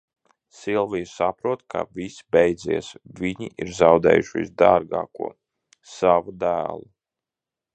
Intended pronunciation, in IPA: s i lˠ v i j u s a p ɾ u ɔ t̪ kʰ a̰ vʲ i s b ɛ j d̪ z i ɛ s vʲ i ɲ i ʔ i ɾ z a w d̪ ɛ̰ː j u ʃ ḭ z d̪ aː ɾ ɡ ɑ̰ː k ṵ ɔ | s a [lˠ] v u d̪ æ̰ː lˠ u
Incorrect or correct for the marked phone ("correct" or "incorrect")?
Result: incorrect